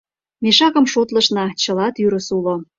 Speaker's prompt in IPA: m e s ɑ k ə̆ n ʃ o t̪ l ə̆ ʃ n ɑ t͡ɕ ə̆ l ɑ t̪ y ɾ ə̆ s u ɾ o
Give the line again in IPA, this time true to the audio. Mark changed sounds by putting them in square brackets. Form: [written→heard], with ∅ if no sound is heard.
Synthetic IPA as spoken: m e [s→ʃ] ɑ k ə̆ [n→m] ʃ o t̪ l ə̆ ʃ n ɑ t͡ɕ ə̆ l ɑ t̪ y ɾ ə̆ s u [ɾ→l] o